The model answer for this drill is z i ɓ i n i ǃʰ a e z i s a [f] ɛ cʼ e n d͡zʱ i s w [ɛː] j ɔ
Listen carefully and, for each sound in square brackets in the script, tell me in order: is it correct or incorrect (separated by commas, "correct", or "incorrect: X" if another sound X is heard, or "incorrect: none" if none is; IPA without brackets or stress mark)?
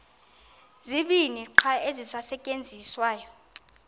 incorrect: s, incorrect: aː